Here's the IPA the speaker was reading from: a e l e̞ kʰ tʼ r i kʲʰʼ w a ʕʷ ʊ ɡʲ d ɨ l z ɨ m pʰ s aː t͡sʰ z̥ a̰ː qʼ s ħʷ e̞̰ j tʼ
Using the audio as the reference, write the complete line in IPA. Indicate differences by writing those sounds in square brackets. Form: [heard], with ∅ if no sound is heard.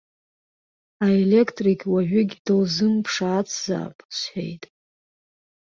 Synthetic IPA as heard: a e l e̞ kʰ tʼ r i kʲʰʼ w a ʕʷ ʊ ɡʲ d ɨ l z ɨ m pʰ [ʂ] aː t͡sʰ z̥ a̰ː [pʼ] s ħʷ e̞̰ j tʼ